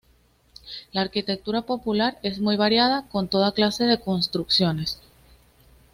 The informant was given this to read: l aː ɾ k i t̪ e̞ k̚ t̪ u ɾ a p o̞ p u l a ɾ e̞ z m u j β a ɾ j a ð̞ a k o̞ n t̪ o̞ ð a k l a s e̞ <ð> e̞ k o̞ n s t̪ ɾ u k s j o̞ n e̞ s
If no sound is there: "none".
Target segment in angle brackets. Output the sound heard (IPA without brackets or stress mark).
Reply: ð